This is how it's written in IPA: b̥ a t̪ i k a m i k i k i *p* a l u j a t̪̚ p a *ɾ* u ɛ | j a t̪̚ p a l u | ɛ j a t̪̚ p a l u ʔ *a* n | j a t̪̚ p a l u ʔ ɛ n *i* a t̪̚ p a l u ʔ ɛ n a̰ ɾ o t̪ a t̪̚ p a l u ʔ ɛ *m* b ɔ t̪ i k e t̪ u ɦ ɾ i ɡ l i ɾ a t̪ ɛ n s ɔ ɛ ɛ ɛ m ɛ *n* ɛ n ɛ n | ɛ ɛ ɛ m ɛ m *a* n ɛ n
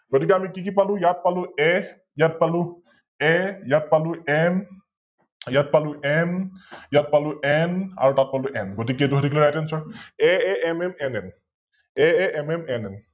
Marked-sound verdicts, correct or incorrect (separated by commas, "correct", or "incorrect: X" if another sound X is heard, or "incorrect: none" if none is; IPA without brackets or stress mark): correct, incorrect: l, incorrect: ɛ, incorrect: j, incorrect: n, incorrect: m, incorrect: ɛ